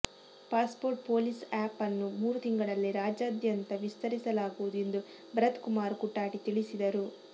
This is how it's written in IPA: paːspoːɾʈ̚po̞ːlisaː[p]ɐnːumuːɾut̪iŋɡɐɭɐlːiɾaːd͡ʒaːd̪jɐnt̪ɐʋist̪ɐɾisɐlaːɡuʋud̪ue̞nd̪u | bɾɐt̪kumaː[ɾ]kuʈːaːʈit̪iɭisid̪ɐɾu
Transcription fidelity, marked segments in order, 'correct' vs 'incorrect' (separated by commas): correct, correct